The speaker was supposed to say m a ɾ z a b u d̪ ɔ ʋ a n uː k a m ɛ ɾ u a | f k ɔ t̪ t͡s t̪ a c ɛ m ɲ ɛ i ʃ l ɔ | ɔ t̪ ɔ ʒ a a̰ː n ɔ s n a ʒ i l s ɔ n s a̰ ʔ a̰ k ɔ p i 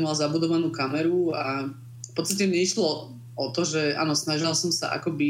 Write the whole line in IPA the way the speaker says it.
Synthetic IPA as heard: m a l z a b u d̪ ɔ ʋ a n uː k a m ɛ ɾ u a | f p ɔ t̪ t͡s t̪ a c ɛ m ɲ ɛ i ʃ l ɔ | ɔ t̪ ɔ ʒ ɛ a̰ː n ɔ s n a ʒ i l s ɔ m s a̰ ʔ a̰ k ɔ b i